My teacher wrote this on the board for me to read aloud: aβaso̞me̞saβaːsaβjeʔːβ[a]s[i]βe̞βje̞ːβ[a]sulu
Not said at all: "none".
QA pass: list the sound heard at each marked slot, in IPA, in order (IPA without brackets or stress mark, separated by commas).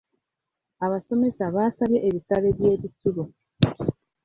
i, a, i